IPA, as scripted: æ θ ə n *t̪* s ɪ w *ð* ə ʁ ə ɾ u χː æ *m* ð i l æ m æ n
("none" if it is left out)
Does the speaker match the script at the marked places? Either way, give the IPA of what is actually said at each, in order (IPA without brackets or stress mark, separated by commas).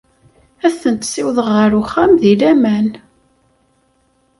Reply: t̪, ð, m